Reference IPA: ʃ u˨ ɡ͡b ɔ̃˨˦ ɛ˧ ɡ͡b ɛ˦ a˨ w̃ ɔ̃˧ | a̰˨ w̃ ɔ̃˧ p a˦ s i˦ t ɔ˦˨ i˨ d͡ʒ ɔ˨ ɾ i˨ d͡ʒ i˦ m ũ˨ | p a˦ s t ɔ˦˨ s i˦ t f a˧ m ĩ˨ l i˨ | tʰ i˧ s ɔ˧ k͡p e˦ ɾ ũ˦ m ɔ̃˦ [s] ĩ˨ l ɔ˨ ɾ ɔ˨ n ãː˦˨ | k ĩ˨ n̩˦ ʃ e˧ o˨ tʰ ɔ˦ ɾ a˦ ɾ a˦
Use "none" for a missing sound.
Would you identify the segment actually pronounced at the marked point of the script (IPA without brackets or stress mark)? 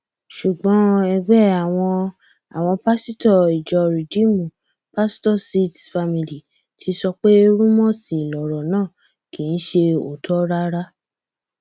s